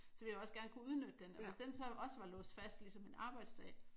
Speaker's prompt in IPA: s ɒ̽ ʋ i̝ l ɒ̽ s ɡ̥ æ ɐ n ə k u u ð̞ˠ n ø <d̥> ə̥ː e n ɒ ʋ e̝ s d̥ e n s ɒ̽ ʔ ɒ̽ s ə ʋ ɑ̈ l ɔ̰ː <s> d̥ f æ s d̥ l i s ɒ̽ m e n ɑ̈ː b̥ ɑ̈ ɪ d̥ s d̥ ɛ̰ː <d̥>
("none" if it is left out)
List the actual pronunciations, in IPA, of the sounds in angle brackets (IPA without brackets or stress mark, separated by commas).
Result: d̥, s, none